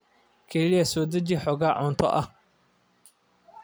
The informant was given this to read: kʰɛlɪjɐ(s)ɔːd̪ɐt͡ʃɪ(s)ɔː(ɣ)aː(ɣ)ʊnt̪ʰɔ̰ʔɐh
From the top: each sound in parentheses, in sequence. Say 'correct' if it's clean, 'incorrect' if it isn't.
correct, incorrect: ħ, correct, incorrect: ʕ

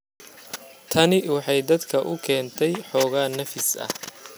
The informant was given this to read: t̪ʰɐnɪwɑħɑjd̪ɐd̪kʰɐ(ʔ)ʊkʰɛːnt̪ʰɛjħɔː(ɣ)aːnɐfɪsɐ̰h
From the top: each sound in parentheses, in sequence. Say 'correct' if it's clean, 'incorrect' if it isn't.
correct, correct

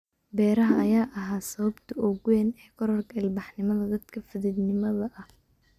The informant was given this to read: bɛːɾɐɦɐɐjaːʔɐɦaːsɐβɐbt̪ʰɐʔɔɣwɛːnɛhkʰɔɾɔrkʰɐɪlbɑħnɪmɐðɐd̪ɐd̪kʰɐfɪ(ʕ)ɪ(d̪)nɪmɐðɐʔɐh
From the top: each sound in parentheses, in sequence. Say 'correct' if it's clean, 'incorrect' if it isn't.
incorrect: ð, correct

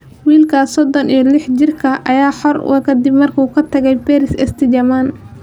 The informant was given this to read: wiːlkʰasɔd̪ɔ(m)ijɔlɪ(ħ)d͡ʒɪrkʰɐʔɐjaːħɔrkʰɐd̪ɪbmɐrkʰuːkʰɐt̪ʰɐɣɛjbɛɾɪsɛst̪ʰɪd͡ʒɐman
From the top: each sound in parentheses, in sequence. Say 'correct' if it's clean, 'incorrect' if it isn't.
incorrect: n, correct

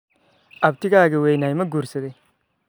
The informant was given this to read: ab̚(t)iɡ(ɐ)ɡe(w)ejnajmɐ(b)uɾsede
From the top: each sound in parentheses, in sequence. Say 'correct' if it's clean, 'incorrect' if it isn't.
correct, incorrect: a, correct, incorrect: ɡ

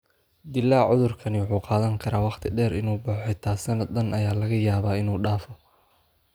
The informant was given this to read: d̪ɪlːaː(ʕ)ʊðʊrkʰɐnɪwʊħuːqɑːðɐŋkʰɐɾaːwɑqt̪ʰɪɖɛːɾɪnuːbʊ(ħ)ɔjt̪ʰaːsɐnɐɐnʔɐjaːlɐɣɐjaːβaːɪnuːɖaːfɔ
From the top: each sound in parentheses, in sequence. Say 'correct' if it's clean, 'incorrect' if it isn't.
correct, correct

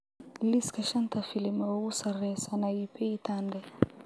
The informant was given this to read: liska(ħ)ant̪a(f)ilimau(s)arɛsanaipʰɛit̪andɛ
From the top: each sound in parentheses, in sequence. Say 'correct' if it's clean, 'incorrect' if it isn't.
incorrect: ʃ, correct, correct

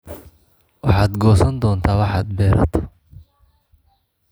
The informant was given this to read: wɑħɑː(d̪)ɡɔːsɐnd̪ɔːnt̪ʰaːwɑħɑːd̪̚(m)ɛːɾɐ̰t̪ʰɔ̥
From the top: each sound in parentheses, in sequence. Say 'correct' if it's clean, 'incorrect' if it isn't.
correct, incorrect: b

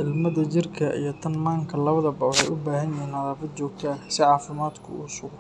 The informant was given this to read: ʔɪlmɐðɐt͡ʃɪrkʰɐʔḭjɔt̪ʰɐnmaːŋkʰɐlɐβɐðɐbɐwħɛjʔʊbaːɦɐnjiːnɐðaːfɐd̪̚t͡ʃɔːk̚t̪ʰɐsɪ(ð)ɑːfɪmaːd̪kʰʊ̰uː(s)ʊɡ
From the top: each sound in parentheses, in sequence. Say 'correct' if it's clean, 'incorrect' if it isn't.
incorrect: ʕ, correct

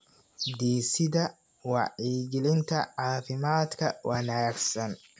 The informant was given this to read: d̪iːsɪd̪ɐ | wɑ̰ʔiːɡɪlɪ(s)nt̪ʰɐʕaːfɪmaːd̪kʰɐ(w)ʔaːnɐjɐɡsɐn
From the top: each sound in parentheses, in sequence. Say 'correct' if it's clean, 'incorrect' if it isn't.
incorrect: none, correct

